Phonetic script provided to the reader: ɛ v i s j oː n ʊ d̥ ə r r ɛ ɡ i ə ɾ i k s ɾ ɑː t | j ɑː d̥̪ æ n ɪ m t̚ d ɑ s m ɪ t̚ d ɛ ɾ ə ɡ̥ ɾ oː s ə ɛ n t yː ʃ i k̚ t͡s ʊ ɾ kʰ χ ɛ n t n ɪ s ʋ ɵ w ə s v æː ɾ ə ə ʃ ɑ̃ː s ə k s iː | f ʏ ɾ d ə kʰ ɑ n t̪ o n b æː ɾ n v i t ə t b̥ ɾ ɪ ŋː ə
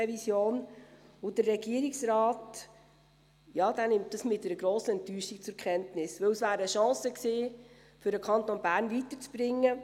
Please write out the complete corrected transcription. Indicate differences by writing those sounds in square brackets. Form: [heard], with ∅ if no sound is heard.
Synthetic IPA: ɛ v i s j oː n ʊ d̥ ə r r ɛ ɡ i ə ɾ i k s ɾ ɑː t | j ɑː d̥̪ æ n ɪ m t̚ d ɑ s m ɪ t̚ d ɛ ɾ ə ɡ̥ ɾ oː s ə ɛ n t yː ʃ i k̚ t͡s ʊ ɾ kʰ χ ɛ n t n ɪ s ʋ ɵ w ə s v æː ɾ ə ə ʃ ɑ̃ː s ə k s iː | f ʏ ɾ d ə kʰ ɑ n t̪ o n b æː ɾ n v i t ə [t͡s] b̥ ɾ ɪ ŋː ə